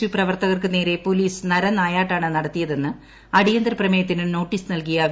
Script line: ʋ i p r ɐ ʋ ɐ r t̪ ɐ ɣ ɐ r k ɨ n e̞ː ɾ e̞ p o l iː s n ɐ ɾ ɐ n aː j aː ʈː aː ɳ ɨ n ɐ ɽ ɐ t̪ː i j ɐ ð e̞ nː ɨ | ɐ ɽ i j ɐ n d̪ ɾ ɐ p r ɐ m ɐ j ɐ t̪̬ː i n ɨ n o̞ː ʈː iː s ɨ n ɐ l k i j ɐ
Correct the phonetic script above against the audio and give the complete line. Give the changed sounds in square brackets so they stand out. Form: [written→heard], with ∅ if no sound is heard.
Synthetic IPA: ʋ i p r ɐ ʋ ɐ r t̪ ɐ ɣ ɐ r k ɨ n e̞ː ɾ e̞ p o l iː s n ɐ ɾ ɐ n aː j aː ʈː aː ɳ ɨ n ɐ ɽ ɐ t̪ː i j ɐ ð e̞ nː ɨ | ɐ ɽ i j ɐ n d̪ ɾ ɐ p r ɐ m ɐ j ɐ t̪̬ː i n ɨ n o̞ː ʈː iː s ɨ n ɐ l k i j ɐ